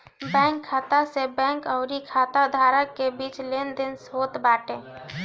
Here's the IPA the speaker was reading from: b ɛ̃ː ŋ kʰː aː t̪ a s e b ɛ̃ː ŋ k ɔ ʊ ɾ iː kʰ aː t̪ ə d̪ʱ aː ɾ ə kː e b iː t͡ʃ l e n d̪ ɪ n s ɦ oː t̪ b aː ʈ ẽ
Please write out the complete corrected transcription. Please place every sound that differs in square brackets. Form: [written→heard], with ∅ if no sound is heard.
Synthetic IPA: b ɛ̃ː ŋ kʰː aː t̪ a s e b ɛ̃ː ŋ k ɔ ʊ ɾ [iː→i] kʰ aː t̪ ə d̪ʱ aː ɾ ə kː e b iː t͡ʃ l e n d̪ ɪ n s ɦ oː t̪ b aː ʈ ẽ